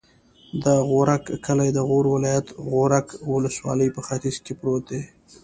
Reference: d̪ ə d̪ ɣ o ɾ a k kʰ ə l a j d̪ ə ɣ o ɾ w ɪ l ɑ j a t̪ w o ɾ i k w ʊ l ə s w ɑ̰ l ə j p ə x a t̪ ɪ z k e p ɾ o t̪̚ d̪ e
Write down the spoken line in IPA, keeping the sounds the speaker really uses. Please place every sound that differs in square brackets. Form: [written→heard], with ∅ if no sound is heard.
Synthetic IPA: d̪ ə [d̪→∅] ɣ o ɾ a k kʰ ə l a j d̪ ə ɣ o ɾ w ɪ l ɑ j a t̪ [w→ɣ] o ɾ [i→a] k w ʊ l ə s w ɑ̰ l ə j p ə x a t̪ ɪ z k e p ɾ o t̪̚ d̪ e